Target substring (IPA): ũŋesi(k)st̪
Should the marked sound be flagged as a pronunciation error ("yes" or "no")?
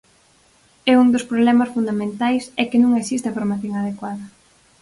yes